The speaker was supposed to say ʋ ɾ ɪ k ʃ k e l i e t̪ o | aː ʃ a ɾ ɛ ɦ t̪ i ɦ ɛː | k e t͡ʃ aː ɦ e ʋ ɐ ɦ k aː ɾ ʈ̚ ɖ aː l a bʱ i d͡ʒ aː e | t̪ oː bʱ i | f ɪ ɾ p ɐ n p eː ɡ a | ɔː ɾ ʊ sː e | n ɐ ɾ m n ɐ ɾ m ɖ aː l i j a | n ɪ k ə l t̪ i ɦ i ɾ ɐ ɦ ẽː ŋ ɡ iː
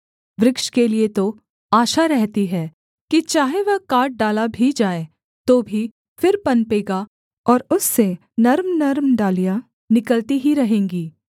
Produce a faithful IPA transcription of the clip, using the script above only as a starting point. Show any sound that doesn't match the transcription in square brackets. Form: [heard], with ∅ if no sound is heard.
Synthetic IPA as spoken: ʋ ɾ ɪ k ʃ k e l i e t̪ o | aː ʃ a ɾ ɛ ɦ t̪ i ɦ ɛː | k [i] t͡ʃ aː ɦ e ʋ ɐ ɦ k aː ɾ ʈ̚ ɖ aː l a bʱ i d͡ʒ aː e | t̪ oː bʱ i | f ɪ ɾ p ɐ n p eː ɡ a | ɔː ɾ ʊ sː e | n ɐ ɾ m n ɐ ɾ m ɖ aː l i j a | n ɪ k ə l t̪ i ɦ i ɾ ɐ ɦ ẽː ŋ ɡ iː